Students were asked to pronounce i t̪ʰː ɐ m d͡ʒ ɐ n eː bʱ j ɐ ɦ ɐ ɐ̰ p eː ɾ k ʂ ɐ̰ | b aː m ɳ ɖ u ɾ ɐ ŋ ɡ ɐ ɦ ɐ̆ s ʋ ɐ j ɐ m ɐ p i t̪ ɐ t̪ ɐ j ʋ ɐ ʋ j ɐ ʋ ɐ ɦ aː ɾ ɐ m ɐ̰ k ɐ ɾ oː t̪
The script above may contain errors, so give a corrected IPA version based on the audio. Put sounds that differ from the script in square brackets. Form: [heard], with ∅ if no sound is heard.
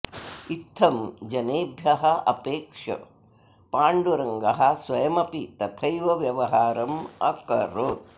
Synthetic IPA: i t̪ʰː ɐ m d͡ʒ ɐ n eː bʱ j ɐ ɦ ɐ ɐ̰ p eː [∅] k ʂ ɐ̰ | [p] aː [∅] ɳ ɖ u ɾ ɐ ŋ ɡ ɐ ɦ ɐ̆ s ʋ ɐ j ɐ m ɐ p i t̪ ɐ [t̪ʰ] ɐ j ʋ ɐ ʋ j ɐ ʋ ɐ ɦ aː ɾ ɐ m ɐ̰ k ɐ ɾ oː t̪